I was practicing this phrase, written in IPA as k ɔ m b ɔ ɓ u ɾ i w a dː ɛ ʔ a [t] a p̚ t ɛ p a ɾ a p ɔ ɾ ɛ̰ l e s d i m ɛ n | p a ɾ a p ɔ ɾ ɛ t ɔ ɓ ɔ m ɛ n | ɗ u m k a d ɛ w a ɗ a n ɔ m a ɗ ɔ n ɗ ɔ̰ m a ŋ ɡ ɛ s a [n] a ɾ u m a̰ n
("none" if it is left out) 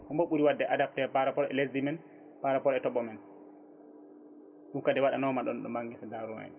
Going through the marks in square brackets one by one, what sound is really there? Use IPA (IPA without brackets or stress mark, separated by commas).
d, d